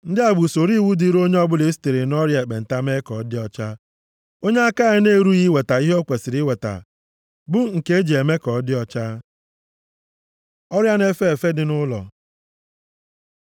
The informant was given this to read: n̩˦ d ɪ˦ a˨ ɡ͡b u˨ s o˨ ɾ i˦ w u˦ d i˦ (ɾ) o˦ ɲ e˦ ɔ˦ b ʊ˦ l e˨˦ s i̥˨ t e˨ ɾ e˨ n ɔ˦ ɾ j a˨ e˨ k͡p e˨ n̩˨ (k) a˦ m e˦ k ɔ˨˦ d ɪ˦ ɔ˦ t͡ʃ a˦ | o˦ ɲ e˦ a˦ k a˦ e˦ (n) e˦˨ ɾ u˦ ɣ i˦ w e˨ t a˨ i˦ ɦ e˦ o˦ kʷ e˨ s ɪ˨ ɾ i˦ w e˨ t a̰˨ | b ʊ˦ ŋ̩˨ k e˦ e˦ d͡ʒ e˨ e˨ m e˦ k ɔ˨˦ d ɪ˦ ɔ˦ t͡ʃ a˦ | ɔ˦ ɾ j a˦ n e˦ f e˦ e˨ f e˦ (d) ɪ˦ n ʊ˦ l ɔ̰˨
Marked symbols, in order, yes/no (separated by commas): yes, no, yes, yes